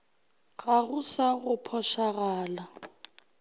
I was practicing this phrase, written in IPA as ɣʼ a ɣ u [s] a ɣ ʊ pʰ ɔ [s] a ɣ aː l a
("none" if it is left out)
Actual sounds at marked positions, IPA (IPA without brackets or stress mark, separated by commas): s, ʃ